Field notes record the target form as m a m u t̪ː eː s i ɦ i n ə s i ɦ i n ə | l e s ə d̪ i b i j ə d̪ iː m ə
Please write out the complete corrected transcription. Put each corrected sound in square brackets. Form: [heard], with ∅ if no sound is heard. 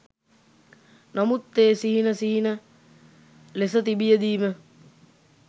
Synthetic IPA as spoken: [n] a m u t̪ː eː s i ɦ i n ə s i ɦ i n ə | l e s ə [t̪] i b i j ə d̪ iː m ə